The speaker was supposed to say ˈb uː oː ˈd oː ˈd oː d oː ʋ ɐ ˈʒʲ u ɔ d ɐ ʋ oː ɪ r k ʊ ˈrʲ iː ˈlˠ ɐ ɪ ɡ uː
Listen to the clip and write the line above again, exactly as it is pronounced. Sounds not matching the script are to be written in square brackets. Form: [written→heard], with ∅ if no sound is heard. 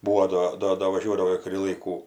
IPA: ˈb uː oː ˈd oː ˈd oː d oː ʋ ɐ ˈʒʲ u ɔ d ɐ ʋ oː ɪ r k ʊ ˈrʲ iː ˈlˠ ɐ ɪ [ɡ→k] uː

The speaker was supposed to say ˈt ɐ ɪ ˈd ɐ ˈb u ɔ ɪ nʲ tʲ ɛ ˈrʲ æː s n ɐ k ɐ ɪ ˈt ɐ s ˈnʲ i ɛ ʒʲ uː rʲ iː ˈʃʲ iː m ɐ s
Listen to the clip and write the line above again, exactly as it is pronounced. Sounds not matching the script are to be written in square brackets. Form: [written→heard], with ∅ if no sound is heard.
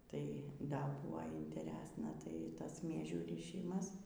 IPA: ˈt ɐ ɪ ˈd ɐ ˈb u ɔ ɪ nʲ tʲ ɛ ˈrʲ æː s n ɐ [k→t] ɐ ɪ ˈt ɐ s [ˈnʲ→ˈmʲ] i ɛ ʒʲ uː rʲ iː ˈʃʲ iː m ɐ s

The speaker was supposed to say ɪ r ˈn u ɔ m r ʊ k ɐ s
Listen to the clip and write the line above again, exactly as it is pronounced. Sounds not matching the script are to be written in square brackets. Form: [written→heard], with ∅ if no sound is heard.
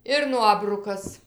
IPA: ɪ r ˈn u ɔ [m→b] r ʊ k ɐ s

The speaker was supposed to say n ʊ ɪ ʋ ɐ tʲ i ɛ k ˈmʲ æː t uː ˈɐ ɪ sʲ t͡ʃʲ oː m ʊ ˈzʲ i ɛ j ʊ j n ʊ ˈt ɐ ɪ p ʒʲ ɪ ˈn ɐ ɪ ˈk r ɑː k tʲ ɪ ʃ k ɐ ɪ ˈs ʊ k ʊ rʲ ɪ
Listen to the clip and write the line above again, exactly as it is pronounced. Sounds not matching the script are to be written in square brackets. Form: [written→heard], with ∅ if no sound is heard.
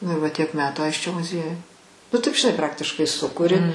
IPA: n ʊ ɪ ʋ ɐ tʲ i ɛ k ˈmʲ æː t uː ˈɐ ɪ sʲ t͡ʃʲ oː m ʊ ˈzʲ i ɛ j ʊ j n ʊ ˈt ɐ ɪ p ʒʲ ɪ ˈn ɐ ɪ [ˈk→ˈp] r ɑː k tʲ ɪ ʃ k ɐ ɪ ˈs ʊ k ʊ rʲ ɪ

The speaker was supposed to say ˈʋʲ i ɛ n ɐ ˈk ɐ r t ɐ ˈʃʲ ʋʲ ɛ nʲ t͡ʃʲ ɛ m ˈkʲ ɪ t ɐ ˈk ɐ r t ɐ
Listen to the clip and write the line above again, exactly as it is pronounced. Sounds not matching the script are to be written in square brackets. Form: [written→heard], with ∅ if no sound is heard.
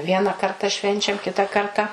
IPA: ˈʋʲ i ɛ n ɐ ˈk ɐ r t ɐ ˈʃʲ ʋʲ ɛ nʲ t͡ʃʲ ɛ m ˈkʲ ɪ t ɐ ˈk ɐ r t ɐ

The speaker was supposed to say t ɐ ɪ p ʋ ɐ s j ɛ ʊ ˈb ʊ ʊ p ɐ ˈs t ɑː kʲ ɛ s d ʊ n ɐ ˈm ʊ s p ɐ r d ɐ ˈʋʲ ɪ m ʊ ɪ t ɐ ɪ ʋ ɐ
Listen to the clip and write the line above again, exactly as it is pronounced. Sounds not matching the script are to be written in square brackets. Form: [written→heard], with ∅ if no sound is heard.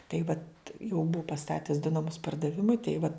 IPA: t ɐ ɪ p ʋ ɐ [s→t] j ɛ ʊ ˈb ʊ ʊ p ɐ ˈs t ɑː [kʲ→tʲ] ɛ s d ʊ n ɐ ˈm ʊ s p ɐ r d ɐ ˈʋʲ ɪ m ʊ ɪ t ɐ ɪ ʋ ɐ

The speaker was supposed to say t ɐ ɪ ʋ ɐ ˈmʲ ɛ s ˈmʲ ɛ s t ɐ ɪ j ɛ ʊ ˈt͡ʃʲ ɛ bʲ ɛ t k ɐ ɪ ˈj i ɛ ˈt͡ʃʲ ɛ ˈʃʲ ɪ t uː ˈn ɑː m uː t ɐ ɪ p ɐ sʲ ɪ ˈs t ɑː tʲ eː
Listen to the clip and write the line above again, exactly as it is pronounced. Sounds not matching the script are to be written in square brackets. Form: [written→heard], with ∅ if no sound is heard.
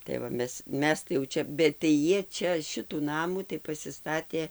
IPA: t ɐ ɪ ʋ ɐ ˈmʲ ɛ s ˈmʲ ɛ s t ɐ ɪ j ɛ ʊ ˈt͡ʃʲ ɛ bʲ ɛ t [k→t] ɐ ɪ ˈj i ɛ ˈt͡ʃʲ ɛ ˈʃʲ ɪ t uː ˈn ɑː m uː t ɐ ɪ p ɐ sʲ ɪ ˈs t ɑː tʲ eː

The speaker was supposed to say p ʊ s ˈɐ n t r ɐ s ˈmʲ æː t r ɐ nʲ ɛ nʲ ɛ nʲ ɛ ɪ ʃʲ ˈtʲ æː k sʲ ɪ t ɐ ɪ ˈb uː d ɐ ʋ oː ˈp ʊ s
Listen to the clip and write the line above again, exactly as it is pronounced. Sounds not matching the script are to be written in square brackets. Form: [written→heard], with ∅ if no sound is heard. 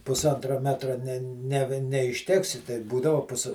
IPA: p ʊ s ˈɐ n t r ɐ [s→∅] ˈmʲ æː t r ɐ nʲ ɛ nʲ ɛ nʲ ɛ ɪ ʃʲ ˈtʲ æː k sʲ ɪ t ɐ ɪ ˈb uː d ɐ ʋ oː ˈp ʊ s

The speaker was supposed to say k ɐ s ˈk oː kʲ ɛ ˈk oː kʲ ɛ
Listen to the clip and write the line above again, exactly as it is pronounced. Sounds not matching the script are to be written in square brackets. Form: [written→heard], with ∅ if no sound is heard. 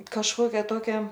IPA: k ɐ [s→ʃ] ˈk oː kʲ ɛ [ˈk→ˈt] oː kʲ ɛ

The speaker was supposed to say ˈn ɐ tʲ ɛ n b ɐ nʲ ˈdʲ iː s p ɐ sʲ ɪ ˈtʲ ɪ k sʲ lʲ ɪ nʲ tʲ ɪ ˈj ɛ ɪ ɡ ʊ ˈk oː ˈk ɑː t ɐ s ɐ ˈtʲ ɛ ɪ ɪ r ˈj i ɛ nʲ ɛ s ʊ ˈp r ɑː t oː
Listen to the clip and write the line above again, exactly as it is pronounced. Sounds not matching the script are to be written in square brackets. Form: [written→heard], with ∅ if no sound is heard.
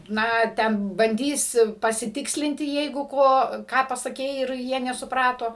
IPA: ˈn ɐ tʲ ɛ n b ɐ nʲ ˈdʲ iː s p ɐ sʲ ɪ ˈtʲ ɪ k sʲ lʲ ɪ nʲ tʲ ɪ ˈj ɛ ɪ ɡ ʊ ˈk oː ˈk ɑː [t→p] ɐ s ɐ [ˈtʲ→ˈkʲ] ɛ ɪ ɪ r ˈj i ɛ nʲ ɛ s ʊ ˈp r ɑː t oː

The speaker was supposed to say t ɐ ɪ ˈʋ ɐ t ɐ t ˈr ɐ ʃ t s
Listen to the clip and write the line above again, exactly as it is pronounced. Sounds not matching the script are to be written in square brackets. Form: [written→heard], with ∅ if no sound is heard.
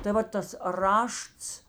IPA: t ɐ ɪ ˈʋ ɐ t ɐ [t→s] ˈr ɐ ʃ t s

